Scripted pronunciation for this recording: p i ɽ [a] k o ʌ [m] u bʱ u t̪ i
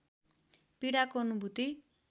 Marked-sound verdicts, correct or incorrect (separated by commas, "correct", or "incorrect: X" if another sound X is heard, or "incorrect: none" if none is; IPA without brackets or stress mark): correct, incorrect: n